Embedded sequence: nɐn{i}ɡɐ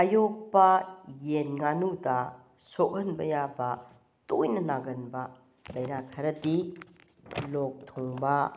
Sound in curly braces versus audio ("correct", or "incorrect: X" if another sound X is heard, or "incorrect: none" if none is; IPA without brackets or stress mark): incorrect: a